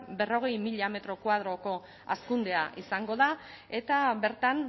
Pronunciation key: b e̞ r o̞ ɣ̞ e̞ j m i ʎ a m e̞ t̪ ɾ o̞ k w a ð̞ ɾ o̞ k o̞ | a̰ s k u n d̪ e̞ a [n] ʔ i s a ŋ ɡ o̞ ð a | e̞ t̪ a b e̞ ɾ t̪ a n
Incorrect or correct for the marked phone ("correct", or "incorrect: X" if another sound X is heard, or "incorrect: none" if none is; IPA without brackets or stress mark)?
incorrect: none